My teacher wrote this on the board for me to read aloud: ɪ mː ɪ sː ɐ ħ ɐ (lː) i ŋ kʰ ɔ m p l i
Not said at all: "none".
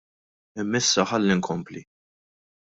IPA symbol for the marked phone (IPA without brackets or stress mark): lː